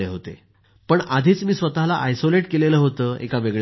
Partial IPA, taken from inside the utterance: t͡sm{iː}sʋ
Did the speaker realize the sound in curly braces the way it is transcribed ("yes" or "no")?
yes